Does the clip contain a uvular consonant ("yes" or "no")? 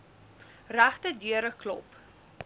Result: yes